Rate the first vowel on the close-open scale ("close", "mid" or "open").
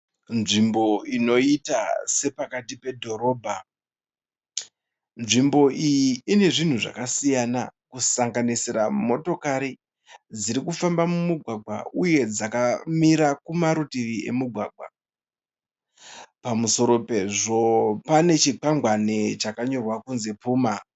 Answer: close